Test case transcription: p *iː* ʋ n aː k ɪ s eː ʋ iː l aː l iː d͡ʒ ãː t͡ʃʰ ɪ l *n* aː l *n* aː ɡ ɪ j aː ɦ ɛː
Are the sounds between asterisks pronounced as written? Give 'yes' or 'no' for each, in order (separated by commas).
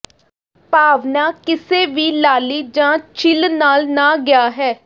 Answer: no, yes, yes